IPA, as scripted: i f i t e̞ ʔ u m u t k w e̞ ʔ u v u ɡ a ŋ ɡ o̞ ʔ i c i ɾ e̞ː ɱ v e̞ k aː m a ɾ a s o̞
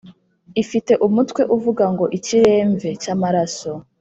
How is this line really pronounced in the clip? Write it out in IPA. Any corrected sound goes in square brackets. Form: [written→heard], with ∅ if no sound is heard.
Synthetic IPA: i f i t e̞ ʔ u m u t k w e̞ ʔ u v u ɡ a ŋ ɡ o̞ ʔ i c i ɾ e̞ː ɱ v e̞ [k→c] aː m a ɾ a s o̞